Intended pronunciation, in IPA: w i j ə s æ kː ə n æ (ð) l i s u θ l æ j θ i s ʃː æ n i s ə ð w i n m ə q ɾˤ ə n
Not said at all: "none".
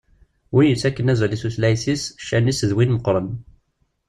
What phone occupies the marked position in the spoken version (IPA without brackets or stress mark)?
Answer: z